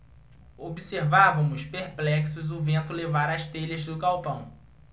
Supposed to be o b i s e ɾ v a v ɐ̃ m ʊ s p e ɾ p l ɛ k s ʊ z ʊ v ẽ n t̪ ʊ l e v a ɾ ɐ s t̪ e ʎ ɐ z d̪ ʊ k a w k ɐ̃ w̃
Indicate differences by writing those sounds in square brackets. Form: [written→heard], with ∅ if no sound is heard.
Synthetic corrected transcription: o b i s e ɾ v a v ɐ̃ m ʊ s p e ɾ p l ɛ k s ʊ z ʊ v ẽ n t̪ ʊ l e v a ɾ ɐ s t̪ e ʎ ɐ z d̪ ʊ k a w [k→p] ɐ̃ w̃

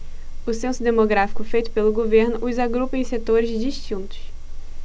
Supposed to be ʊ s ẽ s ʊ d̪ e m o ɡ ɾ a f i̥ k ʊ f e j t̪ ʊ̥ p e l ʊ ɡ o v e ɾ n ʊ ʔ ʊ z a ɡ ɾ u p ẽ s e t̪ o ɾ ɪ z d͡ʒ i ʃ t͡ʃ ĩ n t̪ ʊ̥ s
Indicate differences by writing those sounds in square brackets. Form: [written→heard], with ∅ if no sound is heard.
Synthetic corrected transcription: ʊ s ẽ s ʊ d̪ e m o ɡ ɾ a f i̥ k ʊ f e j t̪ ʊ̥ p e l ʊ ɡ o v e ɾ n ʊ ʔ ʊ z a ɡ ɾ u p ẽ s e t̪ o ɾ ɪ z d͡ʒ i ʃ t͡ʃ ĩ n t̪ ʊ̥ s

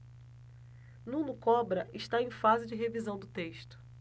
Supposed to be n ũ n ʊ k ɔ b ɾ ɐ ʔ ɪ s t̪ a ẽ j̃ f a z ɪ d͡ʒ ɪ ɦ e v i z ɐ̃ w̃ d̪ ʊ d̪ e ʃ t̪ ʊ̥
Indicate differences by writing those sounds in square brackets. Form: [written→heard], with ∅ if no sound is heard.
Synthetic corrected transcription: n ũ n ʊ k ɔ b ɾ ɐ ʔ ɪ [s→ʃ] t̪ a ẽ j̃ f a z ɪ d͡ʒ ɪ ɦ e v i z ɐ̃ w̃ d̪ ʊ [d̪→t̪] e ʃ t̪ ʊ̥

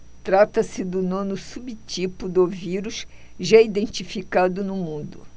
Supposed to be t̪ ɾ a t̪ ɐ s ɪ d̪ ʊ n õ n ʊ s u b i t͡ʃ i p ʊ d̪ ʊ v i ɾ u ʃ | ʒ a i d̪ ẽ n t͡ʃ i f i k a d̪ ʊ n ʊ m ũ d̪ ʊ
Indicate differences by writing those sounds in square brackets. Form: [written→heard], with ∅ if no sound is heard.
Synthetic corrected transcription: t̪ ɾ a t̪ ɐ s ɪ d̪ ʊ n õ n ʊ s u b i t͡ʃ i p ʊ d̪ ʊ v i ɾ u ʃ | ʒ a i d̪ ẽ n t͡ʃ i f i k a d̪ ʊ n ʊ m ũ d̪ ʊ

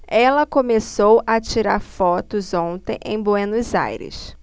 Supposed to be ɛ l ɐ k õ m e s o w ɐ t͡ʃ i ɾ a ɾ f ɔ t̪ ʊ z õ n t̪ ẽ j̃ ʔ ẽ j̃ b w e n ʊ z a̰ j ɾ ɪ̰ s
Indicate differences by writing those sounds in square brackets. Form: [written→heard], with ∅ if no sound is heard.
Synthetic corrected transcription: ɛ l ɐ k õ m e s o w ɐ t͡ʃ i ɾ a ɾ f ɔ t̪ ʊ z õ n t̪ ẽ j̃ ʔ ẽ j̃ b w e n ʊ z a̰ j ɾ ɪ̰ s

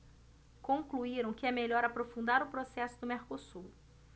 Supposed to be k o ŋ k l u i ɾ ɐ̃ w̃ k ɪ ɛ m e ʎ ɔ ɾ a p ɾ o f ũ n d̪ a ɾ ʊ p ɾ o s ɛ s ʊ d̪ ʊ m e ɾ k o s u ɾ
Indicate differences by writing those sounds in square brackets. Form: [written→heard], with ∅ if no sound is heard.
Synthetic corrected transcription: k [o→õ] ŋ k l u i ɾ ɐ̃ w̃ k ɪ ɛ m e ʎ ɔ ɾ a p ɾ o f ũ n d̪ a ɾ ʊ p ɾ o s ɛ s ʊ d̪ ʊ m e ɾ k o s u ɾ

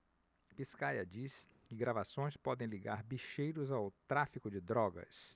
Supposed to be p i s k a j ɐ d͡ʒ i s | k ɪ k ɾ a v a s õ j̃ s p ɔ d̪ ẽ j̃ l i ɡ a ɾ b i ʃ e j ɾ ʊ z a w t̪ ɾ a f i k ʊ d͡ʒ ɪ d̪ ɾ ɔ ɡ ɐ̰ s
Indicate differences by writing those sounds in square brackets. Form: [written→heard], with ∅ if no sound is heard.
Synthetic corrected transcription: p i s k a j ɐ d͡ʒ i s | k ɪ [k→ɡ] ɾ a v a s õ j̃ s p ɔ d̪ ẽ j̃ l i ɡ a ɾ b i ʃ e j ɾ ʊ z a w t̪ ɾ a f i k ʊ d͡ʒ ɪ d̪ ɾ ɔ ɡ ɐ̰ s

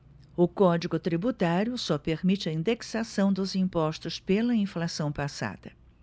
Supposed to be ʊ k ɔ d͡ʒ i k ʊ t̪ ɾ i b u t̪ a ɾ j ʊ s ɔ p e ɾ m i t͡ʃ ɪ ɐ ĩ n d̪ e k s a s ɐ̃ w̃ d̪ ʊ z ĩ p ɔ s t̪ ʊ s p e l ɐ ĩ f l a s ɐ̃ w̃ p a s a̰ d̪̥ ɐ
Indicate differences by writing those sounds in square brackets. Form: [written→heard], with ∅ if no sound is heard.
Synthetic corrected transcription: ʊ k ɔ d͡ʒ i [k→ɡ] ʊ t̪ ɾ i b u t̪ a ɾ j ʊ s ɔ p e ɾ m i t͡ʃ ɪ ɐ ĩ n d̪ e k s a s ɐ̃ w̃ d̪ ʊ z ĩ p ɔ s t̪ ʊ s p e l ɐ ĩ f l a s ɐ̃ w̃ p a s a̰ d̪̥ ɐ

